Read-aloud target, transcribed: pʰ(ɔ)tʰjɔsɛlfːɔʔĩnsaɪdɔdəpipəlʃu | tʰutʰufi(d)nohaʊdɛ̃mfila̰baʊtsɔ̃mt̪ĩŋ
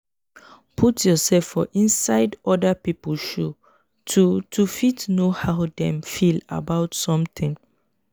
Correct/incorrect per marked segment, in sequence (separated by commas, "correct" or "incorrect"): incorrect, incorrect